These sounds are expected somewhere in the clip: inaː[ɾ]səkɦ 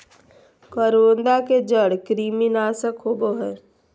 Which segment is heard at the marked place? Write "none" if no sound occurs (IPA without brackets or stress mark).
none